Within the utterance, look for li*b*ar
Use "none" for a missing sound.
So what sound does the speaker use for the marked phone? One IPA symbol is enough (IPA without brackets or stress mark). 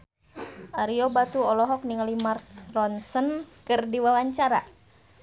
m